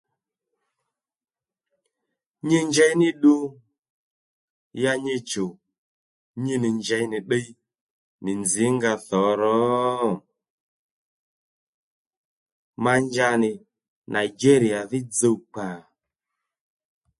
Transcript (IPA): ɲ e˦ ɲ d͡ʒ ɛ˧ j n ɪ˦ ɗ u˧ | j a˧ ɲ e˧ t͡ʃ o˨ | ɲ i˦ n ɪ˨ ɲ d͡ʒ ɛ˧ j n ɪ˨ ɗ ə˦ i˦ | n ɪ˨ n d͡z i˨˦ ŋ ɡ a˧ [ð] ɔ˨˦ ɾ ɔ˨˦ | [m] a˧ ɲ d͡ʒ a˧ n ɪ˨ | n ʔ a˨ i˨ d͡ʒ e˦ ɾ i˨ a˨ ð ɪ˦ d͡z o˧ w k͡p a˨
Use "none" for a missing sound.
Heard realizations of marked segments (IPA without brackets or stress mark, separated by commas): θ, m